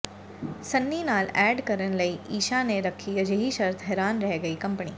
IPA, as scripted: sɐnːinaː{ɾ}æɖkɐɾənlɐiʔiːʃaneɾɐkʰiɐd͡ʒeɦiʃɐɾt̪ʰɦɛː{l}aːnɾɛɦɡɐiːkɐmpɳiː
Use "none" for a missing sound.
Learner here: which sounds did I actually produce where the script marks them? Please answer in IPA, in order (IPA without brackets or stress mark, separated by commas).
l, ɾ